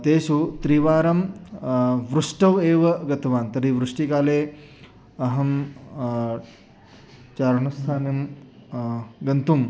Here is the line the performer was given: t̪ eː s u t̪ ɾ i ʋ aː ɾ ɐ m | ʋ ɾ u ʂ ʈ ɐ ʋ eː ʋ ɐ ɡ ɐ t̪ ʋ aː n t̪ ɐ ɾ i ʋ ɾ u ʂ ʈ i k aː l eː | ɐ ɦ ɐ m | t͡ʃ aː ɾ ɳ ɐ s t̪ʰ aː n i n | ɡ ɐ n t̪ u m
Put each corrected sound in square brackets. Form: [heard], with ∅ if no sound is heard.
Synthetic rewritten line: t̪ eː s u t̪ ɾ i ʋ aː ɾ ɐ m | ʋ ɾ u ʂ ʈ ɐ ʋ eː ʋ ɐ ɡ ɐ t̪ ʋ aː n t̪ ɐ ɾ i ʋ ɾ u ʂ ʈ i k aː l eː | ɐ ɦ ɐ m | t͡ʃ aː ɾ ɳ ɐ s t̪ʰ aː n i [m] | ɡ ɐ n t̪ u m